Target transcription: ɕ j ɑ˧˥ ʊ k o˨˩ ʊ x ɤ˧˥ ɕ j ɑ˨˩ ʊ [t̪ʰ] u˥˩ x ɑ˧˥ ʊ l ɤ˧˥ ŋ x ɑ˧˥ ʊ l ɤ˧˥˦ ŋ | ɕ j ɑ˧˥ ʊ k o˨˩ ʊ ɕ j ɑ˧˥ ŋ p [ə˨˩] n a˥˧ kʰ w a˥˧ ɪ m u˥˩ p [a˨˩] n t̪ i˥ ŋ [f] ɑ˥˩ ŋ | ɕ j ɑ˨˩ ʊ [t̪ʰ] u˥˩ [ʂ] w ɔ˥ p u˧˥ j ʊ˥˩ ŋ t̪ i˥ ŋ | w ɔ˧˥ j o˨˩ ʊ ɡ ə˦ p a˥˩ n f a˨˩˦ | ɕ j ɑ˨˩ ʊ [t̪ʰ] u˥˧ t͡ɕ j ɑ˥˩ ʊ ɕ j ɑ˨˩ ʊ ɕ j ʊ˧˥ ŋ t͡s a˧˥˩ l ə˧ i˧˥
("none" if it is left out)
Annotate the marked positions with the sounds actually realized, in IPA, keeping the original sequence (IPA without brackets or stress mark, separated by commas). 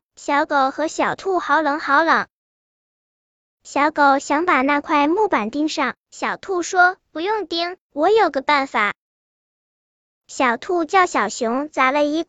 t̪ʰ, a˨˩, a˨˩, ʂ, t̪ʰ, ʂ, t̪ʰ